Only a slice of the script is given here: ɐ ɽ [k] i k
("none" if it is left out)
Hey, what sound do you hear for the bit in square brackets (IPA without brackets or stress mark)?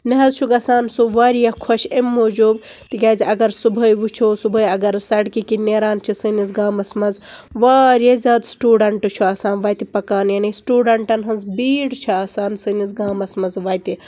k